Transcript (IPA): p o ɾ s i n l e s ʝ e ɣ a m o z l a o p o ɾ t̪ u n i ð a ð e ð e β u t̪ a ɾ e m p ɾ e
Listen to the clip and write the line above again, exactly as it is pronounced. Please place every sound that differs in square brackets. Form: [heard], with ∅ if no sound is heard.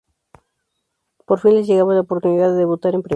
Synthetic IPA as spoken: p o ɾ [f] i n l e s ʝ e ɣ a m o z l a o p o ɾ t̪ u n i ð a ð e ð e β u t̪ a ɾ e m p ɾ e